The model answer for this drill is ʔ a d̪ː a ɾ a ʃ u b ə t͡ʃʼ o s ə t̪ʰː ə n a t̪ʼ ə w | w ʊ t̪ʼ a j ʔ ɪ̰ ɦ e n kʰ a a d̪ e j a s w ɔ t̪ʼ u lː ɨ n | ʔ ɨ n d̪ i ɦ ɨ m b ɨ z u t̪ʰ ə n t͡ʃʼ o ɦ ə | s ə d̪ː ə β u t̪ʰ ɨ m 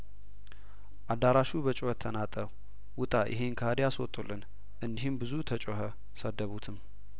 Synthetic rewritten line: ʔ a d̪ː a ɾ a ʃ u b ə t͡ʃʼ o h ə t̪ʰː ə n a t̪ʼ ə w | w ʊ t̪ʼ a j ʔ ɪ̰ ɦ e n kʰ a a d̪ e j a s w ɔ t̪ʼ u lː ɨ n | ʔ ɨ n d̪ i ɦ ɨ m b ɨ z u t̪ʰ ə t͡ʃʼ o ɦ ə | s ə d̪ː ə β u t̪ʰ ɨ m

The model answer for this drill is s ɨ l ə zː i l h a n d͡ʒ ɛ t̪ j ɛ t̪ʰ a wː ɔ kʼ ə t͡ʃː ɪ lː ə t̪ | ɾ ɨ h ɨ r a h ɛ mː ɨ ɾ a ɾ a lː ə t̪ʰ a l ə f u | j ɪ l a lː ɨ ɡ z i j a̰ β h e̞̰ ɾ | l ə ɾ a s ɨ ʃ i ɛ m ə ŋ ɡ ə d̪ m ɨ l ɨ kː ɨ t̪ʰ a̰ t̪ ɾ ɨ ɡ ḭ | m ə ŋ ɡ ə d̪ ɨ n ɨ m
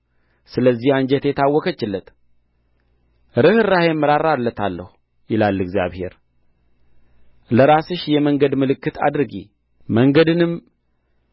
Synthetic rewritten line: s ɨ l ə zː i h a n d͡ʒ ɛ t̪ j ɛ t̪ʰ a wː ɔ k ə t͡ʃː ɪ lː ə t̪ | ɾ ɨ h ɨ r a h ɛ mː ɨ ɾ a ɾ a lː ə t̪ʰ a lː ə h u | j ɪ l a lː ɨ ɡ z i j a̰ β h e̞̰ ɾ | l ə ɾ a s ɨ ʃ j ɛ m ə ŋ ɡ ə d̪ m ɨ l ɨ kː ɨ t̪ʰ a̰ d̪ ɾ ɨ ɡ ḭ | m ə ŋ ɡ ə d̪ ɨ n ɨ m

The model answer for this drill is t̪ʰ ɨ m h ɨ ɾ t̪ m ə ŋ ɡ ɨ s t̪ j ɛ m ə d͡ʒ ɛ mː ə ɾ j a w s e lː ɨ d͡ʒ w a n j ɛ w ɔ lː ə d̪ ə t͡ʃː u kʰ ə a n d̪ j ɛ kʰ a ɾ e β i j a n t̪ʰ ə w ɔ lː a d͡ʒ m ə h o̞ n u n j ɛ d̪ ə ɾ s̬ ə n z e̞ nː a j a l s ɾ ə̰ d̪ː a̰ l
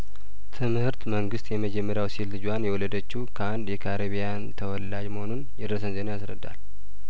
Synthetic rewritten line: t̪ʰ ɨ m h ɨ ɾ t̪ m ə ŋ ɡ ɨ s t̪ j ɛ m ə d͡ʒ ɛ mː ə ɾ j a w s i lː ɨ d͡ʒ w a n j ɛ w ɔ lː ə d̪ ə t͡ʃː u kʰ ə a n d̪ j ɛ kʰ a ɾ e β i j a n t̪ʰ ə w ɔ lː a d͡ʒ m ə h o̞ n u n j ɛ d̪ ə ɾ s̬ ə n z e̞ n a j a s ɾ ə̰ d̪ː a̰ l

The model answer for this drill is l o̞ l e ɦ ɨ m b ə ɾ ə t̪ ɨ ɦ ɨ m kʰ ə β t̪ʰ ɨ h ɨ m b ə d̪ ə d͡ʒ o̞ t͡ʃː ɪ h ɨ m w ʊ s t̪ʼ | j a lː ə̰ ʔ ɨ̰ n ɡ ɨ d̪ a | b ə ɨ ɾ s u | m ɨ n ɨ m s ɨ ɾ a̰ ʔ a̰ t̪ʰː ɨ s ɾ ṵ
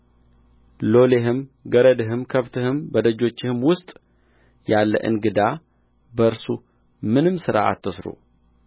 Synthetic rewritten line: l o̞ l e ɦ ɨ m ɡ ə ɾ ə d̪ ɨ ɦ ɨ m kʰ ə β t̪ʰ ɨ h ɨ m b ə d̪ ə d͡ʒ o̞ t͡ʃː ɪ h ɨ m w ʊ s t̪ʼ | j a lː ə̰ ʔ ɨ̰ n ɡ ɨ d̪ a | b ə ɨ ɾ s u | m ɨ n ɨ m s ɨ ɾ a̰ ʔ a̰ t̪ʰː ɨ s ɾ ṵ

